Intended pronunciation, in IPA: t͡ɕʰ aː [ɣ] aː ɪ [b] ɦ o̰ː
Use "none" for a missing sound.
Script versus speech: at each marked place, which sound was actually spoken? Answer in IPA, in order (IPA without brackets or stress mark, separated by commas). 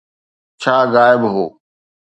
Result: ɣ, b